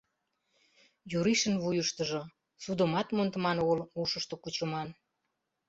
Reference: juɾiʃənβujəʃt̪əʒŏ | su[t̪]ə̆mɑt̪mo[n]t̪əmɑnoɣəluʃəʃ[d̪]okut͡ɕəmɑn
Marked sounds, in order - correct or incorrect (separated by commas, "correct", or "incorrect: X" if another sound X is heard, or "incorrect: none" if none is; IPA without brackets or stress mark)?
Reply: incorrect: d̪, correct, incorrect: t̪